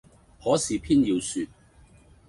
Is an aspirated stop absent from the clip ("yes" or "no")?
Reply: no